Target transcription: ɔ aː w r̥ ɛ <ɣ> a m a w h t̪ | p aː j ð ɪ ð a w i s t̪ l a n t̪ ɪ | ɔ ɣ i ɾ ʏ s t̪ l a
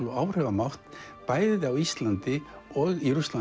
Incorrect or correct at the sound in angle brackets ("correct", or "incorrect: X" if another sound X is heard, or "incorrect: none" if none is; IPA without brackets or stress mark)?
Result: incorrect: v